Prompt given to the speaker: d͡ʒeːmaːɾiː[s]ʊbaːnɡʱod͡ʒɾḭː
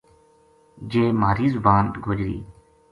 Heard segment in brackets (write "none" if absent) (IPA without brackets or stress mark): z